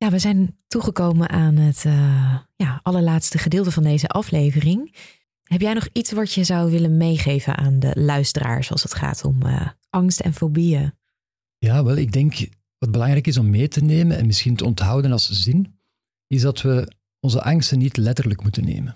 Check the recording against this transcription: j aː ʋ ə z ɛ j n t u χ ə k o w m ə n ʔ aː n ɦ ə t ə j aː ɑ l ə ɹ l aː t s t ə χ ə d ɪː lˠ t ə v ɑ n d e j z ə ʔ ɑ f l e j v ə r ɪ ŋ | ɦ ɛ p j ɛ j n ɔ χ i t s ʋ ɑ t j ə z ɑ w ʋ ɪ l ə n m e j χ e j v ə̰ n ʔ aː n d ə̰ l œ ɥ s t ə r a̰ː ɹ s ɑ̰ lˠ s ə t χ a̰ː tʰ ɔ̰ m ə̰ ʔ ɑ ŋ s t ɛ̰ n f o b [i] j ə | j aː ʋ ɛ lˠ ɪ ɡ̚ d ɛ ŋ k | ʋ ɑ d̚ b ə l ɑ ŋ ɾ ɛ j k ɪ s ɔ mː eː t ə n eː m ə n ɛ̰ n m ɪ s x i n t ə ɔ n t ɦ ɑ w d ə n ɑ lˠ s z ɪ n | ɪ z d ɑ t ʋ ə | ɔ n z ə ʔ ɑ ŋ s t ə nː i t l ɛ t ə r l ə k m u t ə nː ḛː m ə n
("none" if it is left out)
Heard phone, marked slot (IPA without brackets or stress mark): i